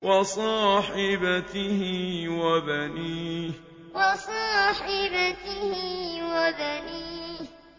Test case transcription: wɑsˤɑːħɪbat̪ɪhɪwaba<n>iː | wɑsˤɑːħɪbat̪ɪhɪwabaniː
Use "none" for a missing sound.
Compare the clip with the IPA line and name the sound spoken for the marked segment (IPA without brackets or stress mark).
n